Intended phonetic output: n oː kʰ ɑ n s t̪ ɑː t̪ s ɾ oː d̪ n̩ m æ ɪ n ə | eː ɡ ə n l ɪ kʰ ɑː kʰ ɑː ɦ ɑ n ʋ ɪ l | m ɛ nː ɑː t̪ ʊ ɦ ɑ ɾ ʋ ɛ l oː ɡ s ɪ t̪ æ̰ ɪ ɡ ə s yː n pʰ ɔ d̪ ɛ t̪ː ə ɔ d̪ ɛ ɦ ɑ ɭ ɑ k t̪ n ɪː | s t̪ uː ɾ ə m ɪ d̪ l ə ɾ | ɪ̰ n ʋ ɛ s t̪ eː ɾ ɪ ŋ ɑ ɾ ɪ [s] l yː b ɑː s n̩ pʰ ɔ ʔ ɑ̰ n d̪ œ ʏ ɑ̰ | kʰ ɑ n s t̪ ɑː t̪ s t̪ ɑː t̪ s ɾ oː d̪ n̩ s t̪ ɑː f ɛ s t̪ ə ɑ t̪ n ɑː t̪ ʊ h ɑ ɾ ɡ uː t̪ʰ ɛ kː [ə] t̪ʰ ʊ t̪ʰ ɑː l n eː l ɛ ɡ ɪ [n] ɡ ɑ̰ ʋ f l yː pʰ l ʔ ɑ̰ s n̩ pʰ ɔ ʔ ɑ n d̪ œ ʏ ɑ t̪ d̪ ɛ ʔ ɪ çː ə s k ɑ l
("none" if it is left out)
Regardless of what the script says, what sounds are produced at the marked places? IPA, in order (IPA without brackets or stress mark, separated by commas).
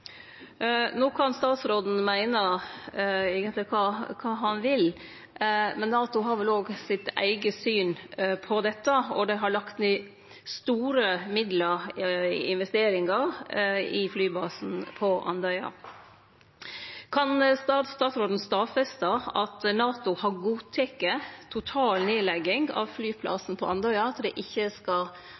f, ə, ŋ